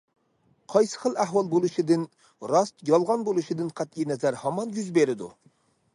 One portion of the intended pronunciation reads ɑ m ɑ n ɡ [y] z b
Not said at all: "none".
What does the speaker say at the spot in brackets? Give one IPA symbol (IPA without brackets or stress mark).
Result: y